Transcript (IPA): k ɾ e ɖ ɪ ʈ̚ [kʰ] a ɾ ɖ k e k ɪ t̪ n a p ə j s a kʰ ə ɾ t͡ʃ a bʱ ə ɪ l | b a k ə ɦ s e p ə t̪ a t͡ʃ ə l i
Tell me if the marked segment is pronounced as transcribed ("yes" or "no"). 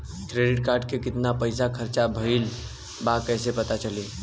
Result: no